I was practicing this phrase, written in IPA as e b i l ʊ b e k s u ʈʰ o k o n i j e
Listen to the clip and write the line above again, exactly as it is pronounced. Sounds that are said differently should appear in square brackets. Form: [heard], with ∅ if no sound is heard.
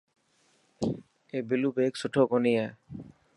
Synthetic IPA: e b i l [u] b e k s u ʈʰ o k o n i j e